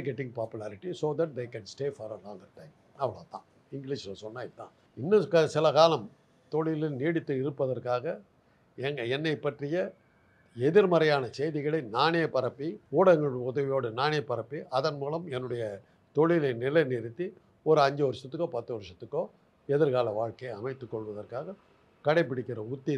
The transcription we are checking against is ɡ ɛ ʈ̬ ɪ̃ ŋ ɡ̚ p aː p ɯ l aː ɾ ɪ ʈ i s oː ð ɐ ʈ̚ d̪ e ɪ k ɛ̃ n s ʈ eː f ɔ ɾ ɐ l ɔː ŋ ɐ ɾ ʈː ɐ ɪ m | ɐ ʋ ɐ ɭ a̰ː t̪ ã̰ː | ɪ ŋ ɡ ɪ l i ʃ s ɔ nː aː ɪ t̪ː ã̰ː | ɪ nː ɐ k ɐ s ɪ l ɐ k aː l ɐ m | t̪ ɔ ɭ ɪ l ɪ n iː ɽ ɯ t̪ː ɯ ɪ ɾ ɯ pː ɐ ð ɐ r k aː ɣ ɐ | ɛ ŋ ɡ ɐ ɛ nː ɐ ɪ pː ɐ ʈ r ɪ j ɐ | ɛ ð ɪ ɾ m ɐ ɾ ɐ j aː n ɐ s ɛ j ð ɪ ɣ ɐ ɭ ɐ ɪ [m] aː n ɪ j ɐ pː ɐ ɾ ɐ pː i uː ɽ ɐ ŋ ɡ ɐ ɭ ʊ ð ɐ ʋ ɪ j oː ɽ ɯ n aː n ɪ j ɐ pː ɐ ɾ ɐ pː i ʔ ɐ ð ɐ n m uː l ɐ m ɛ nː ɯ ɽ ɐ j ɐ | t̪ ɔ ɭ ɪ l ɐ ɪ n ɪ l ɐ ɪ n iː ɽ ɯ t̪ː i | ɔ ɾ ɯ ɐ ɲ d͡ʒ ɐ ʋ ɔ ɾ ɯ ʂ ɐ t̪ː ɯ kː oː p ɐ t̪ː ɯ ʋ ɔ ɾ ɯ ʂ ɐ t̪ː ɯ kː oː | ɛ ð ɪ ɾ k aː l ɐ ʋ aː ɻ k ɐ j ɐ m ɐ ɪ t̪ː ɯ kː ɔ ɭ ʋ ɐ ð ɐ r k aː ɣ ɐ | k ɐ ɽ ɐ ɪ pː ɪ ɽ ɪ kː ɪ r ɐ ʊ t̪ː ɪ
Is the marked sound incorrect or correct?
incorrect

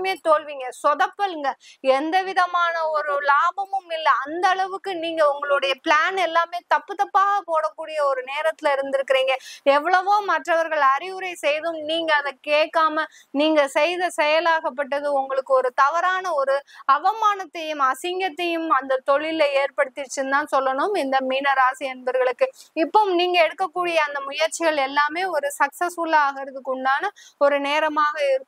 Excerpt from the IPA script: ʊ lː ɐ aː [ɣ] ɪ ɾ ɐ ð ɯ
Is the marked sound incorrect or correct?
correct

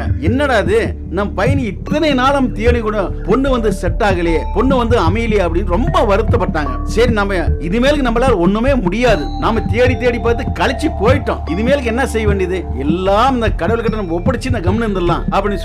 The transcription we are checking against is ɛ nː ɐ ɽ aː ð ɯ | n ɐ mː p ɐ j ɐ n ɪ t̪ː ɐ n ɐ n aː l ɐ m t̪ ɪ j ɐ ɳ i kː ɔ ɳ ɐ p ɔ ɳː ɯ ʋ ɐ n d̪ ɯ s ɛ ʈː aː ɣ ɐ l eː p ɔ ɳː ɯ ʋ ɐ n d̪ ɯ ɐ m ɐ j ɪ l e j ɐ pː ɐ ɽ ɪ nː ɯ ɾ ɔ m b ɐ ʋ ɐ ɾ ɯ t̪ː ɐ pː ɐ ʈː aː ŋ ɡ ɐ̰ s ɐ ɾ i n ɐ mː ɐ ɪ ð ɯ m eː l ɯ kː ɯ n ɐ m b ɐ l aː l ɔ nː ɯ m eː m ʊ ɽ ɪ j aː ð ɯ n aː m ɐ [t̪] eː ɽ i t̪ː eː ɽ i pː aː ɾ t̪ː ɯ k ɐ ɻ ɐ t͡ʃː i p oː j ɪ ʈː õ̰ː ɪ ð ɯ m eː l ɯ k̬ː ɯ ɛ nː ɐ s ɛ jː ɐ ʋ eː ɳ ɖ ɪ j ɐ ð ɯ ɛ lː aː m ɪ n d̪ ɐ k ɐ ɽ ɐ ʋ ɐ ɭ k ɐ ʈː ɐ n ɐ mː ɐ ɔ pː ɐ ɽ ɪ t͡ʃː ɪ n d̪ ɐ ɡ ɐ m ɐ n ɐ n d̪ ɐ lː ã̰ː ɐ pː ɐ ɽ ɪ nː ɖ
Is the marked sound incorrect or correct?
correct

